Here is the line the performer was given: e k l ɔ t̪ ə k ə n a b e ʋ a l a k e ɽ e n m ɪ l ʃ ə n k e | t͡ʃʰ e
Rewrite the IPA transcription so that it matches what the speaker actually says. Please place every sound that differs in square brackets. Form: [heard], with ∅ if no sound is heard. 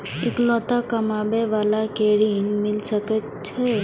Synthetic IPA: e k l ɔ t̪ [a] k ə [m] a b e ʋ a l a k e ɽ [i] n m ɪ l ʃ ə [∅] k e | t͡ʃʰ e